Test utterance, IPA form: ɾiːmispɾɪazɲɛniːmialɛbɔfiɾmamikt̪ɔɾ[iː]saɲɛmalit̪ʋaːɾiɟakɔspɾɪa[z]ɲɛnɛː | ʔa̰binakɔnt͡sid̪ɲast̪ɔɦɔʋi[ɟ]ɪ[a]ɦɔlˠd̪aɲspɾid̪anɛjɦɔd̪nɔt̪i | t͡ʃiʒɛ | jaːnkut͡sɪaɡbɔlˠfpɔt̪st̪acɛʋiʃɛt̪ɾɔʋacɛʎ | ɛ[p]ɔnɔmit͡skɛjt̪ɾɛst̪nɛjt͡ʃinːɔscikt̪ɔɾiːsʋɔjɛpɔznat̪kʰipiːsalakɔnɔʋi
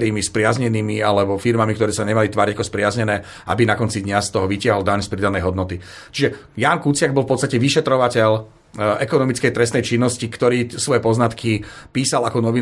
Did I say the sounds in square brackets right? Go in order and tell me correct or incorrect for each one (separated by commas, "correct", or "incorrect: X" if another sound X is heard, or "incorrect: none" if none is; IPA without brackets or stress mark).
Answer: incorrect: ɛː, correct, incorrect: c, correct, incorrect: k